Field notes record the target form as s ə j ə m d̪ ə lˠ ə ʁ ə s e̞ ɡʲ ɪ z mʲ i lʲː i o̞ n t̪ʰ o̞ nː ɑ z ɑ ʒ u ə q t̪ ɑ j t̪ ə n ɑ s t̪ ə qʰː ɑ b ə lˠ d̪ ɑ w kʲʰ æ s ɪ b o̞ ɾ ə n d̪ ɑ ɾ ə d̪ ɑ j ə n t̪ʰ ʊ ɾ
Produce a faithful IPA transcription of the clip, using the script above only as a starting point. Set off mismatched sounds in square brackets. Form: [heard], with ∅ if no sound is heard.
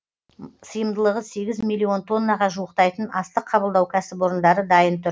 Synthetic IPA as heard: s ə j ə m d̪ ə lˠ ə ʁ ə s e̞ ɡʲ ɪ z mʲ i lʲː i o̞ n t̪ʰ o̞ nː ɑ [ʁ] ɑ ʒ u ə q t̪ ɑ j t̪ ə n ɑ s t̪ ə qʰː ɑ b ə lˠ d̪ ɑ w kʲʰ æ s ɪ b o̞ ɾ ə n d̪ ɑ ɾ ə d̪ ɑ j ə n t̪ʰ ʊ ɾ